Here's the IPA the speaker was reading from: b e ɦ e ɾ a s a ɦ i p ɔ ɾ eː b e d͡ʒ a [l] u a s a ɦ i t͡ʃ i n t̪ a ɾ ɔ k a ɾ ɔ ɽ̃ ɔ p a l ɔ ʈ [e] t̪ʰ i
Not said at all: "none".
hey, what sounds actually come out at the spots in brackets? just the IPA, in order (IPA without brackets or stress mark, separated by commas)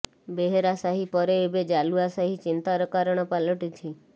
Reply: l, i